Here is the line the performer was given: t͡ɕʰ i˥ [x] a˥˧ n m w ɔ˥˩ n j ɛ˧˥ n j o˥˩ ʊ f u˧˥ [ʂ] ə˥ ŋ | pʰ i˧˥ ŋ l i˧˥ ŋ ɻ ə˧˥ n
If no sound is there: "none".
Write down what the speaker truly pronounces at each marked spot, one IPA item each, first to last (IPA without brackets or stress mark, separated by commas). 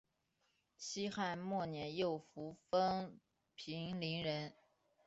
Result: x, f